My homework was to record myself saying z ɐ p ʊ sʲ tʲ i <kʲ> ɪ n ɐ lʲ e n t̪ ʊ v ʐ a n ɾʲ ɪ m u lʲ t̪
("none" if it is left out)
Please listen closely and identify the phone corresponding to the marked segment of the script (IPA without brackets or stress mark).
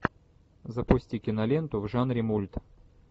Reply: kʲ